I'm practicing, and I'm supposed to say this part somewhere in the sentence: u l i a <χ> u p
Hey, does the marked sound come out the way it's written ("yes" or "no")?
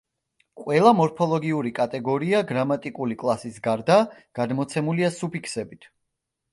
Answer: no